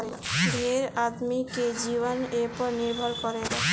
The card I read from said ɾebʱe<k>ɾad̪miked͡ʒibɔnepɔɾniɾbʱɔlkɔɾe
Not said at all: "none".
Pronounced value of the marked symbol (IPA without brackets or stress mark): none